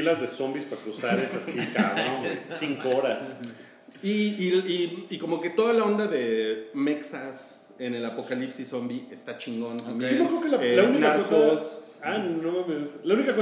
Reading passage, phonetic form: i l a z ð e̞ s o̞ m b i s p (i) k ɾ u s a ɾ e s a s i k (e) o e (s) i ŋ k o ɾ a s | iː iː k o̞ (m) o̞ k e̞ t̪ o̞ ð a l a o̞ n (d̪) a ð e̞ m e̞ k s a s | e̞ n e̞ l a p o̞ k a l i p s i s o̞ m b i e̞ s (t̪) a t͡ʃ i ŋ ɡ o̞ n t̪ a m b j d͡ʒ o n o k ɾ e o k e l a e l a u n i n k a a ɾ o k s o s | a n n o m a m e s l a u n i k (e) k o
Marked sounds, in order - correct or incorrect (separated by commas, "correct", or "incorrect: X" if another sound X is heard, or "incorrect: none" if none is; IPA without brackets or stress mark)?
incorrect: a, incorrect: a, correct, correct, correct, correct, incorrect: a